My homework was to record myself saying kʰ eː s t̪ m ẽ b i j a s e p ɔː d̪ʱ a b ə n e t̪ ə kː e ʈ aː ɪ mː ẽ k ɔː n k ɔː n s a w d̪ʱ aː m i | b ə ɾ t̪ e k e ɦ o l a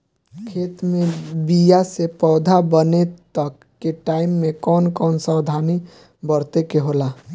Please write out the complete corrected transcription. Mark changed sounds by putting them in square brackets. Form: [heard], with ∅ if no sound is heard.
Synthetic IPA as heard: kʰ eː [∅] t̪ m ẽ b i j a s e p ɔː d̪ʱ a b ə n e t̪ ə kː e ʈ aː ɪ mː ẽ k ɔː n k ɔː n s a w d̪ʱ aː [n] i | b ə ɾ t̪ e k e ɦ o l a